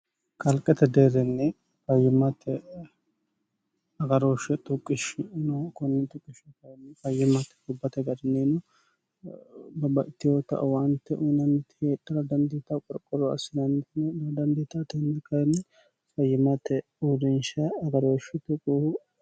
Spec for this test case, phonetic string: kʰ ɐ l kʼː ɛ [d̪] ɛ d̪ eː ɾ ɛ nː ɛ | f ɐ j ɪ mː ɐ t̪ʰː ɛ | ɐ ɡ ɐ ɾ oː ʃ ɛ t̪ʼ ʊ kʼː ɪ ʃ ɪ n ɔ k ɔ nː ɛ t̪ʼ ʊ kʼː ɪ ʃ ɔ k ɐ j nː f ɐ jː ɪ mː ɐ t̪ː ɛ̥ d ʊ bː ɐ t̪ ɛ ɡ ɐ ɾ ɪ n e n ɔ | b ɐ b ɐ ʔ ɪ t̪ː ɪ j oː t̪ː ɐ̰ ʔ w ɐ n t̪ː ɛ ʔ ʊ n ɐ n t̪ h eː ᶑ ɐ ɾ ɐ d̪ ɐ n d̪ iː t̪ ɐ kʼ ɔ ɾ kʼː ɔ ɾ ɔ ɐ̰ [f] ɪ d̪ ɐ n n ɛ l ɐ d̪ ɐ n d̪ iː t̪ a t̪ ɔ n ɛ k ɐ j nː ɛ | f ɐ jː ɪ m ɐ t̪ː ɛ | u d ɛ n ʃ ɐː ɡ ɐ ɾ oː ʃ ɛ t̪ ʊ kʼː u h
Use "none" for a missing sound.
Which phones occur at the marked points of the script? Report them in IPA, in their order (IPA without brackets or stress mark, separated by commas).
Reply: t̪, s